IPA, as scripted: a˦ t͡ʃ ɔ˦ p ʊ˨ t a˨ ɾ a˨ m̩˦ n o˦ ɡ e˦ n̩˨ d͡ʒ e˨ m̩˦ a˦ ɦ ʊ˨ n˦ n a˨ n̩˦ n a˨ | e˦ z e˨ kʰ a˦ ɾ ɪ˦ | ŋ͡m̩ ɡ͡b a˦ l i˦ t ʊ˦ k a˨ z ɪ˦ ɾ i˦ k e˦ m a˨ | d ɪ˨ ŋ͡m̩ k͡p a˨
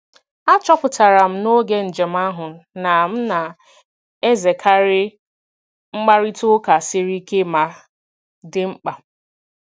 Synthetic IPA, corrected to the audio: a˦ t͡ʃ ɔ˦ p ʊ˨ t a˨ ɾ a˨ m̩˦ n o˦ ɡ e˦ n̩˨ d͡ʒ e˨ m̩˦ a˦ ɦ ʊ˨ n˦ n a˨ m̩˦ n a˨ | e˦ z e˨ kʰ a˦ ɾ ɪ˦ | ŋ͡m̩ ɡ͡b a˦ ɾ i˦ t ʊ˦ k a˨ s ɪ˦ ɾ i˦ k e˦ m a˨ | d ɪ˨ ŋ͡m̩ k͡p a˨